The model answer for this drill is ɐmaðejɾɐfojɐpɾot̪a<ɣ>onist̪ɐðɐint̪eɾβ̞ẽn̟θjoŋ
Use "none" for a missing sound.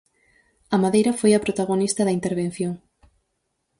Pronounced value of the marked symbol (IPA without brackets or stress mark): ɣ